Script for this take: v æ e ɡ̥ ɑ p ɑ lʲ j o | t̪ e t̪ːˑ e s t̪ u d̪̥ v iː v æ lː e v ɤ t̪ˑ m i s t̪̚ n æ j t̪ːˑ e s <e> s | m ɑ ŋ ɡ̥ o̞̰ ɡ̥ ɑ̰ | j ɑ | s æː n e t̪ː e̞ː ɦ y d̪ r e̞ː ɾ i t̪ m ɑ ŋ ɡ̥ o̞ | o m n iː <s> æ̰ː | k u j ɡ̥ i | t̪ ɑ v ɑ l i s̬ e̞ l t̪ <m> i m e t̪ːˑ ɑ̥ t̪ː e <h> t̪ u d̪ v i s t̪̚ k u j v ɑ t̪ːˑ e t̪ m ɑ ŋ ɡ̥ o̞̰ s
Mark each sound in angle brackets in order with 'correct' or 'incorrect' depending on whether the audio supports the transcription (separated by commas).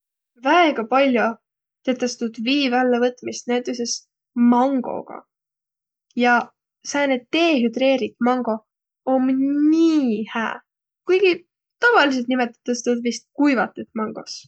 correct, incorrect, incorrect, incorrect